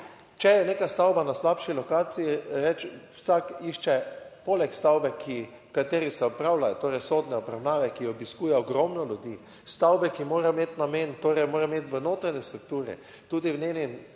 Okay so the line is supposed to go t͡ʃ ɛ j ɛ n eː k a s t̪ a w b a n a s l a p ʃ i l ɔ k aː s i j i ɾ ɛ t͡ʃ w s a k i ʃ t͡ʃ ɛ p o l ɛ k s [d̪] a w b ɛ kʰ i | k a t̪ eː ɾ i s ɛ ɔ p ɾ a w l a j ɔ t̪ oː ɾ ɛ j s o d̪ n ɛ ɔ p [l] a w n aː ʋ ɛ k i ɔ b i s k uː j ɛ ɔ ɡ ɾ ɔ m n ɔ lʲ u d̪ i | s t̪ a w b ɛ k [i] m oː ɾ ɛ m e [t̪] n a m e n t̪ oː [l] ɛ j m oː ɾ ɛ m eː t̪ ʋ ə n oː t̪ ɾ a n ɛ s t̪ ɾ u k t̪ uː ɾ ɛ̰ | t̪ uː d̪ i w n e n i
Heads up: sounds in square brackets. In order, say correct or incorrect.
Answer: incorrect: t̪, incorrect: ɾ, correct, correct, incorrect: ɾ

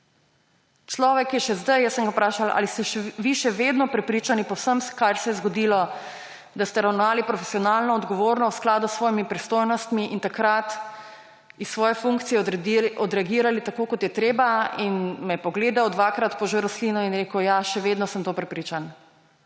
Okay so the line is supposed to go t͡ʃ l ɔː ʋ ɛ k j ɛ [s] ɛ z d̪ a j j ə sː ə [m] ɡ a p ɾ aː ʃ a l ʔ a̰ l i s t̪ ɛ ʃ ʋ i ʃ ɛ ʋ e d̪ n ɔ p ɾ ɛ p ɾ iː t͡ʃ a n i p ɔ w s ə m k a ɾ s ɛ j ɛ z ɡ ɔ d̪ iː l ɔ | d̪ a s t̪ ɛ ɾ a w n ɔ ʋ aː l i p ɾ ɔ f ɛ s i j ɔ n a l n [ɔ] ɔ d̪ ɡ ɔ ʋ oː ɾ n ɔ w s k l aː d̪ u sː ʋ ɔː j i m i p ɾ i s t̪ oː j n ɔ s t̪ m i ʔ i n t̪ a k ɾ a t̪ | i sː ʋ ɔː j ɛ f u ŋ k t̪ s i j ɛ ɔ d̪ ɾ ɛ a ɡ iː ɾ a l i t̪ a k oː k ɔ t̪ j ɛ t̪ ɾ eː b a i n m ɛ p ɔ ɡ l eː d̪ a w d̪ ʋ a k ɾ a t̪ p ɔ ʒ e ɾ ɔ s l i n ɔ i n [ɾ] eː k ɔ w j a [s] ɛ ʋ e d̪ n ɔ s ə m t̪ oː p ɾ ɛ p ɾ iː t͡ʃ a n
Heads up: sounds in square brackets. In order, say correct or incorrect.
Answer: incorrect: ʃ, incorrect: ŋ, correct, correct, incorrect: ʃ

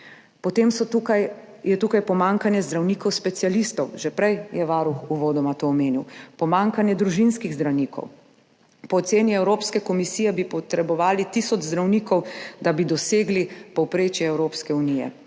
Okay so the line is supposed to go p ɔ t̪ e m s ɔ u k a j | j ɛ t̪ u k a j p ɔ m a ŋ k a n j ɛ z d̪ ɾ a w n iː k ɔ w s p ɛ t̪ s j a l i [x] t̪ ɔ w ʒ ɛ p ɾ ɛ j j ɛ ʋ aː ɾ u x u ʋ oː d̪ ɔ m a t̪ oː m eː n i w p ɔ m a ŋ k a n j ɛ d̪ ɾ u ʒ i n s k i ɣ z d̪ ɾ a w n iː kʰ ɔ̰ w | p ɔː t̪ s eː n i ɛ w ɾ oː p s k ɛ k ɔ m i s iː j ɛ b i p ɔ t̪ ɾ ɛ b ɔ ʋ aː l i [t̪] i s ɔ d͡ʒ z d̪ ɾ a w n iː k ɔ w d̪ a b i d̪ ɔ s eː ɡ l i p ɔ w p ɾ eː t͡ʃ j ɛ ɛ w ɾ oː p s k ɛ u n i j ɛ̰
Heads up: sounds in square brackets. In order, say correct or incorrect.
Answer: incorrect: s, correct

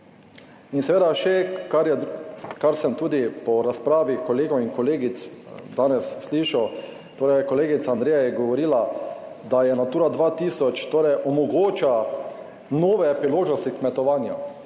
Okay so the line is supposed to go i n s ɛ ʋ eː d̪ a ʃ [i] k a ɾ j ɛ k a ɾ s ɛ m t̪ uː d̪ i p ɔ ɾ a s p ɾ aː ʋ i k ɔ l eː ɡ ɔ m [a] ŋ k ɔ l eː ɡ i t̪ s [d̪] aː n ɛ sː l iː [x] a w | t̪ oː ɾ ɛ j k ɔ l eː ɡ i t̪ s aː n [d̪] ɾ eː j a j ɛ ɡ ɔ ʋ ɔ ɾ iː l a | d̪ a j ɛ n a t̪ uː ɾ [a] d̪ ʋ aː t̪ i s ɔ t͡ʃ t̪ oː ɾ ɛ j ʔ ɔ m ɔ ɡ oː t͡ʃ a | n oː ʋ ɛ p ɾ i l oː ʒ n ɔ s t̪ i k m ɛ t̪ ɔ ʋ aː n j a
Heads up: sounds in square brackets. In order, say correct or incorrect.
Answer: incorrect: ɛ, incorrect: i, correct, incorrect: ʃ, correct, correct

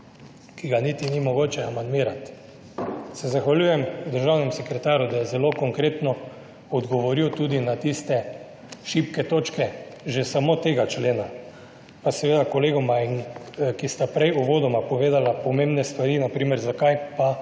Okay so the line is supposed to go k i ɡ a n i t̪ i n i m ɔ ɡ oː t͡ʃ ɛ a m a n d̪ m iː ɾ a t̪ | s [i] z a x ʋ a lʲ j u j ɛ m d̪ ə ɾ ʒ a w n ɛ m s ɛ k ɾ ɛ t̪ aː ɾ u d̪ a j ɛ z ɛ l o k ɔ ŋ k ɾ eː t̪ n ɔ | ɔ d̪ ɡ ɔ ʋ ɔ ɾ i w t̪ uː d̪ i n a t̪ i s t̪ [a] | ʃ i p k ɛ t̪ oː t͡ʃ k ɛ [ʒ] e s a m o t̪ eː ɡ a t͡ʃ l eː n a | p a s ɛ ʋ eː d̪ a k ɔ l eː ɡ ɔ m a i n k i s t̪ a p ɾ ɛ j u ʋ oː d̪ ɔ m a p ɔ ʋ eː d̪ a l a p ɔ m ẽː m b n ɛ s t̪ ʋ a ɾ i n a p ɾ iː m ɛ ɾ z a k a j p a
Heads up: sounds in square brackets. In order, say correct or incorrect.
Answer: incorrect: ɛ, incorrect: ɛ, correct

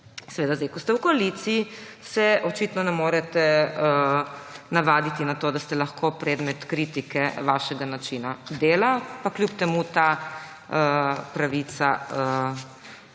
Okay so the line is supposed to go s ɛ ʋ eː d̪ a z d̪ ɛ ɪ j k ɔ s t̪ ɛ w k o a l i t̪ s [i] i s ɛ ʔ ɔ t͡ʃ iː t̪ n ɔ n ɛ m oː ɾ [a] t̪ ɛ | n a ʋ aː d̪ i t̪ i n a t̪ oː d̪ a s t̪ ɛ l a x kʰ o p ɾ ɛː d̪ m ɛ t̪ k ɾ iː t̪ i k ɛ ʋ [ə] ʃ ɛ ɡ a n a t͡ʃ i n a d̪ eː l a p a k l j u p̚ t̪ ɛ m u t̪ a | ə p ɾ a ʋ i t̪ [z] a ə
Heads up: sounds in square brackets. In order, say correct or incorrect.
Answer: correct, incorrect: ɛ, incorrect: a, incorrect: s

